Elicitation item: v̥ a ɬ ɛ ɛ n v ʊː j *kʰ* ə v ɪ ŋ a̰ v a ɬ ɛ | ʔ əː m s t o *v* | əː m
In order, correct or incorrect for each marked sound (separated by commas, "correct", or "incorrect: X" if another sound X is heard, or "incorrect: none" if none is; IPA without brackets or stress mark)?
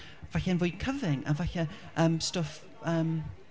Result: correct, incorrect: f